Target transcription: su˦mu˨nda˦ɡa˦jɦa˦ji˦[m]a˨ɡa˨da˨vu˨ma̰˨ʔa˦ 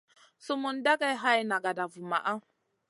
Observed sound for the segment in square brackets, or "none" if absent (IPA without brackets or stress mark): n